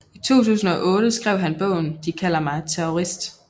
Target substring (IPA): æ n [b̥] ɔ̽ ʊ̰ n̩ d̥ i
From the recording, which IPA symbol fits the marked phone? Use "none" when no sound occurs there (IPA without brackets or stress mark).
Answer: b̥